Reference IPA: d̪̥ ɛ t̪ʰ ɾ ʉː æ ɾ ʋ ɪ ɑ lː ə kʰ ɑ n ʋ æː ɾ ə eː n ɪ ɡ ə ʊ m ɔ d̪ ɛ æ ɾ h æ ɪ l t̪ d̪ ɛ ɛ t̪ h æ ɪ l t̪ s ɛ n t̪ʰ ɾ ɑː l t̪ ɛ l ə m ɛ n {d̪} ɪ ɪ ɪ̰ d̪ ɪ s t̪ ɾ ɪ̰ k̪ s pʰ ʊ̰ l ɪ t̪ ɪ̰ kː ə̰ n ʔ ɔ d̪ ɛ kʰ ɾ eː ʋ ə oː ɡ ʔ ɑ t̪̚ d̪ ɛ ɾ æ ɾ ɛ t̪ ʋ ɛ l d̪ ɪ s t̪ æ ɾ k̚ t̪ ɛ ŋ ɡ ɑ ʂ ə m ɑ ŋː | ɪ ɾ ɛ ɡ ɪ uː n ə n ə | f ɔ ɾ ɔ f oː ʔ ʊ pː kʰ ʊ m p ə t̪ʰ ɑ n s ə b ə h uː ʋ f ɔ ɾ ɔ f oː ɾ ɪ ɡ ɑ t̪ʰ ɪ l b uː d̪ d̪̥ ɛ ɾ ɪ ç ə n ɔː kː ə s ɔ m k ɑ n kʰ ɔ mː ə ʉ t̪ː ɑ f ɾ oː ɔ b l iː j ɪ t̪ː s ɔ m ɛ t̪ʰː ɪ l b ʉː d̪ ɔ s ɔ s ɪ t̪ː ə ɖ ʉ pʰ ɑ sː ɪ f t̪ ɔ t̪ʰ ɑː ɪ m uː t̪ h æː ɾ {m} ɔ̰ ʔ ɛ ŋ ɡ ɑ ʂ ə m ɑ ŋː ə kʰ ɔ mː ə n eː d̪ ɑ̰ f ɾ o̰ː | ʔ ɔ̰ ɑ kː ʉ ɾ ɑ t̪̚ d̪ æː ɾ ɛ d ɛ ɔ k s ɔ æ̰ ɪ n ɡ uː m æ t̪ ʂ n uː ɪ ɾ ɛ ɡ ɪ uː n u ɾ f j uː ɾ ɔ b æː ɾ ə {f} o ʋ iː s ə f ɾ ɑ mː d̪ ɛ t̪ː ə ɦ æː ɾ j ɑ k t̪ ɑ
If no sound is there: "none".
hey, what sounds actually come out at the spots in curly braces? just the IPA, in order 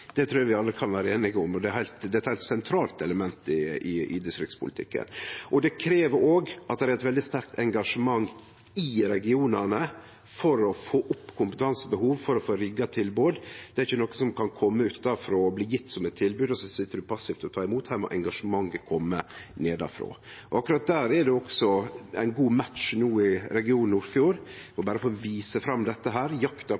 t̪, m, f

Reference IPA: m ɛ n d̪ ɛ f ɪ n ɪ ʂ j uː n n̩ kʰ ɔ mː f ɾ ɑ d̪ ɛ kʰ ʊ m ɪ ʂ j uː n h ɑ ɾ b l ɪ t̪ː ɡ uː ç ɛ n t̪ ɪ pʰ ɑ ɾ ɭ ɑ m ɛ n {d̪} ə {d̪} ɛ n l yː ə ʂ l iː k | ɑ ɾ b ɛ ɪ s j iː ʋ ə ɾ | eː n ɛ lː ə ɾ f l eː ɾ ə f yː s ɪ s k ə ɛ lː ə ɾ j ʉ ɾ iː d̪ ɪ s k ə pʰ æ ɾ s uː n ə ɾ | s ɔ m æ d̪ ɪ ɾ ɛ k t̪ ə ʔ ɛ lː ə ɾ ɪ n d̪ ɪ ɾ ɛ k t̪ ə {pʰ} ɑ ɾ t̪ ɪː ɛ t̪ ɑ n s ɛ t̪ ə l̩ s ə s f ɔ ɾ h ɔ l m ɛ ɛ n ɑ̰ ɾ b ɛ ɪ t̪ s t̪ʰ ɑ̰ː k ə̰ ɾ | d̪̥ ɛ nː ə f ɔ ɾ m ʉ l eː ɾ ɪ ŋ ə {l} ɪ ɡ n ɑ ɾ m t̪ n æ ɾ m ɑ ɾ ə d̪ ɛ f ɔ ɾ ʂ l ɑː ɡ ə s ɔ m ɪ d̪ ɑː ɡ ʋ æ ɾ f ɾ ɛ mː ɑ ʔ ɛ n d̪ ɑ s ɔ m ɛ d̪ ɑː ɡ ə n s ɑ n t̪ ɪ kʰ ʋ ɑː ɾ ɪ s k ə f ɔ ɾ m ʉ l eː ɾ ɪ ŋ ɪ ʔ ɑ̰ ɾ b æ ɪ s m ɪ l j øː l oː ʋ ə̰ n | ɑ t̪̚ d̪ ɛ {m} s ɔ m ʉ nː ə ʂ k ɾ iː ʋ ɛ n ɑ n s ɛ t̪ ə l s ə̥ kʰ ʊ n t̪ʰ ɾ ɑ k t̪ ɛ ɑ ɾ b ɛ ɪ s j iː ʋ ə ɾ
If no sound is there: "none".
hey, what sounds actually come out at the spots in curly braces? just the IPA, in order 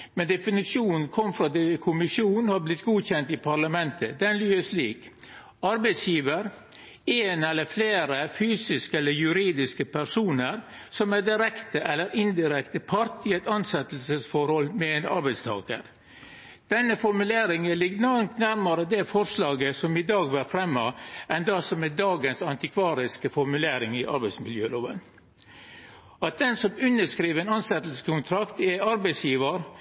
t̪, d̪, pʰ, l, n

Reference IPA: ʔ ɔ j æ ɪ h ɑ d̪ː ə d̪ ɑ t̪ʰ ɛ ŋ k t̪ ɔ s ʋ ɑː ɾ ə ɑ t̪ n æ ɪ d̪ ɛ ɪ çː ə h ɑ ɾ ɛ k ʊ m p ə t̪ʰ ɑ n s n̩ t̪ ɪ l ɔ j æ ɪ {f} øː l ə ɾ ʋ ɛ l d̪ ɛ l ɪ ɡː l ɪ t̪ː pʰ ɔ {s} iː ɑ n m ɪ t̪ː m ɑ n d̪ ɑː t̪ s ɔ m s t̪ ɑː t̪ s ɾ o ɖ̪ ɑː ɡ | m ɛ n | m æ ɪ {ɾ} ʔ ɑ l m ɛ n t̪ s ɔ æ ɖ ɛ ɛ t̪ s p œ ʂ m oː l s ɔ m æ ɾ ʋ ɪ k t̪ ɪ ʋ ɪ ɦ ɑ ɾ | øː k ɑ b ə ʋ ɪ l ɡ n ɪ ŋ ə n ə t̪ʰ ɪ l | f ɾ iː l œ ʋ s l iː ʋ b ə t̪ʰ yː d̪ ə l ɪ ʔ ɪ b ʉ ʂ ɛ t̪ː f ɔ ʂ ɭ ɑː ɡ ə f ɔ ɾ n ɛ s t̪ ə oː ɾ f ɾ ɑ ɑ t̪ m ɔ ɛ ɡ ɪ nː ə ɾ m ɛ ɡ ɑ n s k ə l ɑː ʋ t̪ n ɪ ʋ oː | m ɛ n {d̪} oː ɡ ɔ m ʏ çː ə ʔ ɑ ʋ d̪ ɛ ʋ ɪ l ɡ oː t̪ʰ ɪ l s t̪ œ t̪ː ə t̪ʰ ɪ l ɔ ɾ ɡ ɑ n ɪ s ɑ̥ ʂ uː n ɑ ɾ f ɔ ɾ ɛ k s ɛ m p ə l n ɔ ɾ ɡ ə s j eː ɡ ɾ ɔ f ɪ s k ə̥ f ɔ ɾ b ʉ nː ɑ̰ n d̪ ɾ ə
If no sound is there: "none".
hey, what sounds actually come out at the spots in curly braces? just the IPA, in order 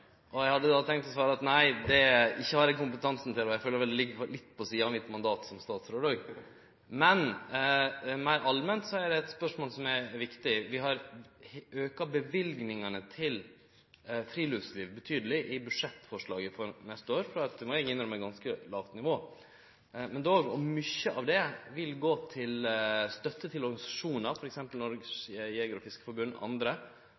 f, s, ɾ, d̪

